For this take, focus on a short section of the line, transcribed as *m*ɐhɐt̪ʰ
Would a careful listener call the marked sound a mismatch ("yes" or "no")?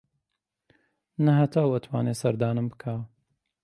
yes